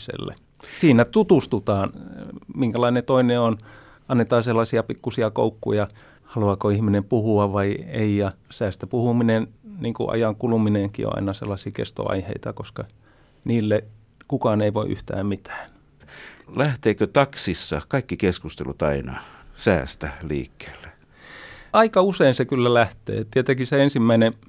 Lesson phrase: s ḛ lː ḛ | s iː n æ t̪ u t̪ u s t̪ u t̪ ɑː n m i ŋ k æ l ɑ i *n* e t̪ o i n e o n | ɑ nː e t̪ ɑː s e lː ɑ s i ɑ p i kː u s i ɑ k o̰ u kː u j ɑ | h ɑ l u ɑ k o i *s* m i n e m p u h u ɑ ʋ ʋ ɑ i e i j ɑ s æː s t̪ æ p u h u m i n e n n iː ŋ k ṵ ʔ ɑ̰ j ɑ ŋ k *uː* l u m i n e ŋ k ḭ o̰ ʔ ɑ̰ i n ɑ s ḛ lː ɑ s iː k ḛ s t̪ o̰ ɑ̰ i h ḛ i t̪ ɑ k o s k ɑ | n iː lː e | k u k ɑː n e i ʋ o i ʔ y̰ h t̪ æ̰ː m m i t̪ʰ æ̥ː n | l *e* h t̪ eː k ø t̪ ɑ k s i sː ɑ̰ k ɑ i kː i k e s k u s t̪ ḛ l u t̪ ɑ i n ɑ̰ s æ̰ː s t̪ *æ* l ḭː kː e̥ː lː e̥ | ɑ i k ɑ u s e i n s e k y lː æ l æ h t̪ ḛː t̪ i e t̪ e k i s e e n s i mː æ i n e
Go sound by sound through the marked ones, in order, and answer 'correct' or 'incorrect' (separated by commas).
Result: correct, incorrect, incorrect, incorrect, correct